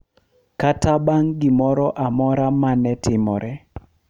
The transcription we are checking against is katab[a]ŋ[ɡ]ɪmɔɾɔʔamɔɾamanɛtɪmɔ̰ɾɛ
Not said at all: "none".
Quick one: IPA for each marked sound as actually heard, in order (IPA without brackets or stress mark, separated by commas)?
a, ɡ